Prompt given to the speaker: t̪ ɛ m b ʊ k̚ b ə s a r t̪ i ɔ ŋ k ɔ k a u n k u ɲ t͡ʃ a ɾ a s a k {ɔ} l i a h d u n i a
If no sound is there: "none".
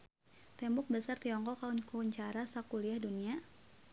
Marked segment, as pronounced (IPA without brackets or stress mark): u